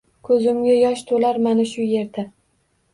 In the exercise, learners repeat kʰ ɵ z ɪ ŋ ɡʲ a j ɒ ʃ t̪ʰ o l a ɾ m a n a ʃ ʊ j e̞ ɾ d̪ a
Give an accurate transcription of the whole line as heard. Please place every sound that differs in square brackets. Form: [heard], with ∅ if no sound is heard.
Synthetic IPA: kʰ ɵ z ɪ [m] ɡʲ a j ɒ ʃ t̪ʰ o l a ɾ m a n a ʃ ʊ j e̞ ɾ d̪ a